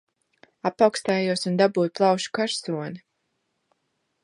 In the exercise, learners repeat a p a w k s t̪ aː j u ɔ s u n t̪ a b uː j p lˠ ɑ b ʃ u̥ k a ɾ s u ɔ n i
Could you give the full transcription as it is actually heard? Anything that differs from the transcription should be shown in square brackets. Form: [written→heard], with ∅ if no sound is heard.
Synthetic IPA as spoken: a p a w k s t̪ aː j u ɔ s u n [t̪→d̪] a b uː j p lˠ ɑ [b→w] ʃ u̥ k a ɾ s u ɔ n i